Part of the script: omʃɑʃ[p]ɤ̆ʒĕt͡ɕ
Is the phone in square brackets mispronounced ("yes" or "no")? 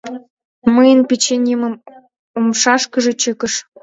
yes